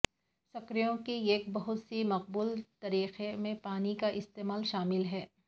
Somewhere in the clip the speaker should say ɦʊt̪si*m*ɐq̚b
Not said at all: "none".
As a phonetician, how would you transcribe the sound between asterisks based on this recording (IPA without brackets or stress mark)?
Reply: m